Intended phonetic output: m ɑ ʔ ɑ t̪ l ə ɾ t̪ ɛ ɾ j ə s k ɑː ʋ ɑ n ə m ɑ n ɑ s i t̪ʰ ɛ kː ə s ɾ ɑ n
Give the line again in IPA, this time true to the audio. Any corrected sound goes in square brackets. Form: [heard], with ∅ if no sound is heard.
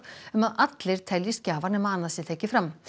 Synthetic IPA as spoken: m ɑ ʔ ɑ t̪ l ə ɾ [t̪ʰ] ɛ [l] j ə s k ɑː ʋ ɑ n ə m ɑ n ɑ s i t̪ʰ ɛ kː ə [f] ɾ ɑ [m]